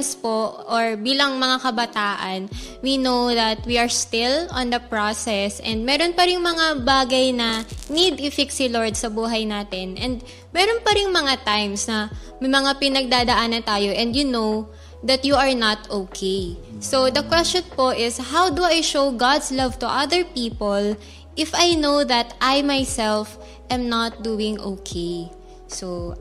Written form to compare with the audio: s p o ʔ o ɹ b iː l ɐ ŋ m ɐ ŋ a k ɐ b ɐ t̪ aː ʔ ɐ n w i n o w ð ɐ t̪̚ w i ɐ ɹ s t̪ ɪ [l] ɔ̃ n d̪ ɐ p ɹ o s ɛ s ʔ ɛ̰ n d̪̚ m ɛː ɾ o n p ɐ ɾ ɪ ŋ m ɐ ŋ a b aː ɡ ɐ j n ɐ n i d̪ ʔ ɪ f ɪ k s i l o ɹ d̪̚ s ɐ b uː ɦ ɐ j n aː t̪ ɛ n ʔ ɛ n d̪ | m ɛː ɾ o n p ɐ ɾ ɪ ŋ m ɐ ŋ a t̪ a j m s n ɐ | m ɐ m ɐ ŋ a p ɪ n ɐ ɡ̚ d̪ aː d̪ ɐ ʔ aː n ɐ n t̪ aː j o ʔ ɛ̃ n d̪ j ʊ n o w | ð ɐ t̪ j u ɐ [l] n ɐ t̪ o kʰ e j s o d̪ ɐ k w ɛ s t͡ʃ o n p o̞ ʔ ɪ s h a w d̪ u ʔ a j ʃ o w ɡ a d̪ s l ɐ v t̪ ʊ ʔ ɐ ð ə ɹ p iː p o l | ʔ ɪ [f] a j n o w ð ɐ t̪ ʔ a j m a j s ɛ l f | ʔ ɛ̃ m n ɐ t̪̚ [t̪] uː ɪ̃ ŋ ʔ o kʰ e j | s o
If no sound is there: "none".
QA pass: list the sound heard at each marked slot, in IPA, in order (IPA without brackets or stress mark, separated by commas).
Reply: l, ɹ, f, d̪